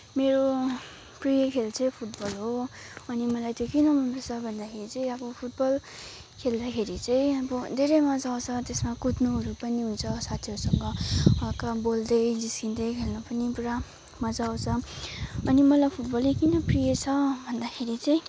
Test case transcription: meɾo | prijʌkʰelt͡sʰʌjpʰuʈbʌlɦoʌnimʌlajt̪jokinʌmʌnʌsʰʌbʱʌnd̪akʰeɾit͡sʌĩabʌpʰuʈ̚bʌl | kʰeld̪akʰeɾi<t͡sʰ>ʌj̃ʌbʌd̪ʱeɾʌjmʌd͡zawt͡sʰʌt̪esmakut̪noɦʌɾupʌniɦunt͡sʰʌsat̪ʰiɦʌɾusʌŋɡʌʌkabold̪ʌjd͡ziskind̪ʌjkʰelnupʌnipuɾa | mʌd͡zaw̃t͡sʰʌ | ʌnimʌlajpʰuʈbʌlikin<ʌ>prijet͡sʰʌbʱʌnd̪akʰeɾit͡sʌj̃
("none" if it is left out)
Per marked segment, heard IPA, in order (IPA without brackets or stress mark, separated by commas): t͡s, ʌ